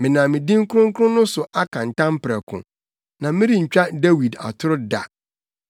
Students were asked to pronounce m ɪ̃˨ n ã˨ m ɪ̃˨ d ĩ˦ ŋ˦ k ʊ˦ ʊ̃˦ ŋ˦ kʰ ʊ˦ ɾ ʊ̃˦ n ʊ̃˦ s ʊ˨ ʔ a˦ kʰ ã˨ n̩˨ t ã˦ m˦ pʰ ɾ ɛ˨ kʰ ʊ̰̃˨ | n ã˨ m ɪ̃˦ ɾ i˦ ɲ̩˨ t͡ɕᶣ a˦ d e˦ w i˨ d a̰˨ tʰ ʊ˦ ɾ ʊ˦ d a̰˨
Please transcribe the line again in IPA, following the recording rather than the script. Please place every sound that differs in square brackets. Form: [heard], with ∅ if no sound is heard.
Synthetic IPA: m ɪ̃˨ n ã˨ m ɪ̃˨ d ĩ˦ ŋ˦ k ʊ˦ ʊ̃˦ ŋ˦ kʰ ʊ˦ ɾ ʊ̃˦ n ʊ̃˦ s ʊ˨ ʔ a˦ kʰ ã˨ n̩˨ t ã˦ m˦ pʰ ɾ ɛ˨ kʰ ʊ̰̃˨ | n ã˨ m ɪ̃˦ ɾ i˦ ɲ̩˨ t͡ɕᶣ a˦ d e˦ w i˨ d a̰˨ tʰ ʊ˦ ɾ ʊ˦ d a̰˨